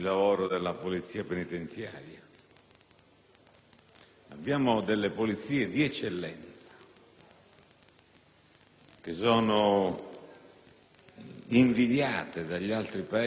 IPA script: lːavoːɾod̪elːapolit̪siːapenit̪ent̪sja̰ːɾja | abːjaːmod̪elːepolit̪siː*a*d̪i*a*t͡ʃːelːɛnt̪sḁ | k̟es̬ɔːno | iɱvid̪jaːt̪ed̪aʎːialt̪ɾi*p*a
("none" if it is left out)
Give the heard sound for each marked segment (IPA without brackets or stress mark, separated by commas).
e, ɛ, p